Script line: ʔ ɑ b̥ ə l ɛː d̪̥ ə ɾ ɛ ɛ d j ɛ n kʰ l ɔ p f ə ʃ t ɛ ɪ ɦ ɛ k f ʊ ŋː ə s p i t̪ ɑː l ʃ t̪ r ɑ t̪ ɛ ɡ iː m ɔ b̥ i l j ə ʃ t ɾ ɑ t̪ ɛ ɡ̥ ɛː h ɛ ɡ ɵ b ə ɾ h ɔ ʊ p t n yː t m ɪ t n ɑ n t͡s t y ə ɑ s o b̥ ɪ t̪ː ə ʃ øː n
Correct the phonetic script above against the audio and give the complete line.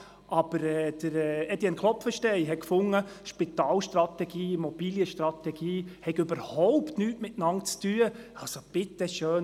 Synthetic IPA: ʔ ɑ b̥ ə ɾ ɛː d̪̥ ə ɾ ɛ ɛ d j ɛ n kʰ l ɔ p f ə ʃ t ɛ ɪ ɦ ɛ k f ʊ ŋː ə ʃ p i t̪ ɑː l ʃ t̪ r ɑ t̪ ɛ ɡ iː m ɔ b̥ i l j ə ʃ t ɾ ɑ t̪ ɛ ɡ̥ iː h ɛ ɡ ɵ b ə ɾ h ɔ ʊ p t n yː t m ɪ t n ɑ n t͡s t y ə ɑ s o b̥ ɪ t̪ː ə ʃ øː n